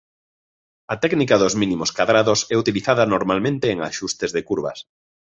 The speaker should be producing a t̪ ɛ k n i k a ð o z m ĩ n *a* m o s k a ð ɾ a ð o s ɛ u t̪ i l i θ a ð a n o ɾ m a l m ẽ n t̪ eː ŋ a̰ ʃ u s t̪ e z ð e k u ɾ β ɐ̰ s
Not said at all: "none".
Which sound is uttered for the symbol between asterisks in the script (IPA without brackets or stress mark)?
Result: i